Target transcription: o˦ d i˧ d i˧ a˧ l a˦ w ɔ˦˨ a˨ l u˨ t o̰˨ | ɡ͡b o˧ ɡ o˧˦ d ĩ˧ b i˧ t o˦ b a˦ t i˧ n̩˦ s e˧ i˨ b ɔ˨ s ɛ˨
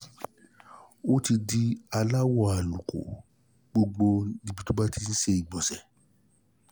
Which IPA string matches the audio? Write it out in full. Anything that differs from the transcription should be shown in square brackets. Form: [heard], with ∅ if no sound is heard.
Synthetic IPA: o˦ [t] i˧ d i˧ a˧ l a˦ w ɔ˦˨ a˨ l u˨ [k] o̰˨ | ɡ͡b o˧ [ɡ͡b] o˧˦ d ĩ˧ b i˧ t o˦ b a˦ t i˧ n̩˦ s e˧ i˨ [ɡ͡b] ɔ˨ s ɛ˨